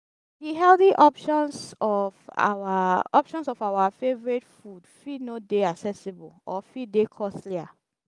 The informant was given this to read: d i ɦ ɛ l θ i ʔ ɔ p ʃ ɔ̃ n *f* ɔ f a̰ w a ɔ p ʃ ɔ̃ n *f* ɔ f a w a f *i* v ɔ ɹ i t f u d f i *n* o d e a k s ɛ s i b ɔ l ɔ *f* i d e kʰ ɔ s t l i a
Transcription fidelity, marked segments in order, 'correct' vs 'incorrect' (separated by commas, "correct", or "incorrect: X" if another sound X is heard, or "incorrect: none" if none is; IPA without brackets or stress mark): incorrect: s, incorrect: s, incorrect: e, correct, correct